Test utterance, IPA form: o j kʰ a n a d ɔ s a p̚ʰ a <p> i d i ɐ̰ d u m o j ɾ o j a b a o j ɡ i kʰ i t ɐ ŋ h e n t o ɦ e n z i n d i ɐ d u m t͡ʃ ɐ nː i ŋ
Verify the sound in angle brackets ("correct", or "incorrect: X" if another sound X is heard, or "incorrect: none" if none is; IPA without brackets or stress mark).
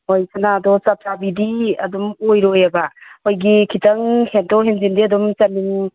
incorrect: b